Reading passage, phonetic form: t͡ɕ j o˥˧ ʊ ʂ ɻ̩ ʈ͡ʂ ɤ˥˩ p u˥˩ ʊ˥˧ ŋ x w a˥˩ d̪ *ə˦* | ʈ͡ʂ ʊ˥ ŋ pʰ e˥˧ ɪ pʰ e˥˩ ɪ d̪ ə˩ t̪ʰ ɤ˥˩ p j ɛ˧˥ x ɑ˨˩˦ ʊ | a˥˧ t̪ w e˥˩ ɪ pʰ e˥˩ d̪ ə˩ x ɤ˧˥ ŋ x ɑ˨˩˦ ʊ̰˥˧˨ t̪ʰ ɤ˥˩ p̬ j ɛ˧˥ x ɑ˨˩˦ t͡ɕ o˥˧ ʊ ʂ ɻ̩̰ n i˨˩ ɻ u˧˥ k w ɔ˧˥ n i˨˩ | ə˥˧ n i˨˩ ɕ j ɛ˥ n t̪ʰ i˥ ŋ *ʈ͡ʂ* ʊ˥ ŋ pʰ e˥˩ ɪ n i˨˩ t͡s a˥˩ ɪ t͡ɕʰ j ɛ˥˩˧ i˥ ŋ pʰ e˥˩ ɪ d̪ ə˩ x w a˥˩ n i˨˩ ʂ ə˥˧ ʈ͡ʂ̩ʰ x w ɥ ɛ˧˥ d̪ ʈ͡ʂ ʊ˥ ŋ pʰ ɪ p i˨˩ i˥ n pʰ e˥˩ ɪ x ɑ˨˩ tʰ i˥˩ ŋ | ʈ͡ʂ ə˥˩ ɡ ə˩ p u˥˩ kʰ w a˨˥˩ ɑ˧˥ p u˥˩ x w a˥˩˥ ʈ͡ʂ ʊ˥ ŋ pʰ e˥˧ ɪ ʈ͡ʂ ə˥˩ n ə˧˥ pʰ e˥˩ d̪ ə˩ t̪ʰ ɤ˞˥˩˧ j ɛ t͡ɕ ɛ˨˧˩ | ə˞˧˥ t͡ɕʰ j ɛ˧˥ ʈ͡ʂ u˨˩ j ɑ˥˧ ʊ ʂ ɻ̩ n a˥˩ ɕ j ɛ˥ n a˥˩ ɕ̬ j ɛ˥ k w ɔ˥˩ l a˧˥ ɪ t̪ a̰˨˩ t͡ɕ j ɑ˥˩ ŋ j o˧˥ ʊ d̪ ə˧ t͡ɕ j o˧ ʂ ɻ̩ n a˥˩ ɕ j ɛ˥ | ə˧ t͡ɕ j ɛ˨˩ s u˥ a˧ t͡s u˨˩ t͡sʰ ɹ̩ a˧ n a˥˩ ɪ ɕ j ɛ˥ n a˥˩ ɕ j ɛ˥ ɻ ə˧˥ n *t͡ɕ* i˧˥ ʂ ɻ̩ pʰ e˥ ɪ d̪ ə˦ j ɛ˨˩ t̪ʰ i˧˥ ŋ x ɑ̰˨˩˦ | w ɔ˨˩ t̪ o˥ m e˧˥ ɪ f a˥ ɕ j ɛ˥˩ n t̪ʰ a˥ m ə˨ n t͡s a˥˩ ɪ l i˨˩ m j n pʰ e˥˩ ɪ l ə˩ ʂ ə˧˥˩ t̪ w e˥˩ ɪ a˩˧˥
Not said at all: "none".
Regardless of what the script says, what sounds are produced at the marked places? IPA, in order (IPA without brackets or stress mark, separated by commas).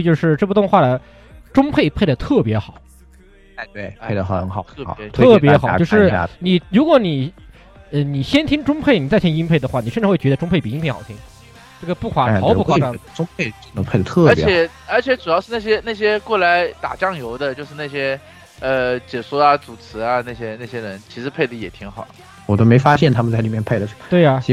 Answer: ə˩, ʈ͡ʂ, t͡ɕʰ